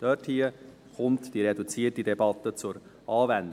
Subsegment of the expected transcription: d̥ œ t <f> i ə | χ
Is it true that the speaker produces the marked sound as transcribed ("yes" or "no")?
no